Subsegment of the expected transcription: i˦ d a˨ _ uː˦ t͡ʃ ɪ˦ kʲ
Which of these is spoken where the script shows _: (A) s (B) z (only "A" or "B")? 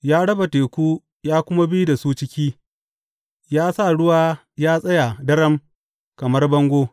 A